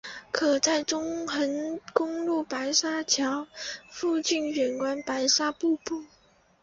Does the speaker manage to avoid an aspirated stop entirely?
no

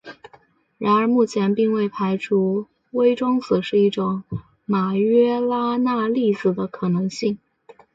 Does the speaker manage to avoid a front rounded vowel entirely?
yes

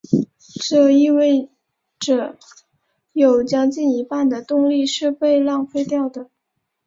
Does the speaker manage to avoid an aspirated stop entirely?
yes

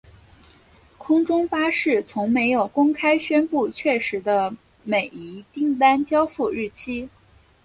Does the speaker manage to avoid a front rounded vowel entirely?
yes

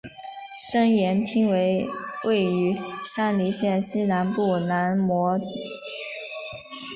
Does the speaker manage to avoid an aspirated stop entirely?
no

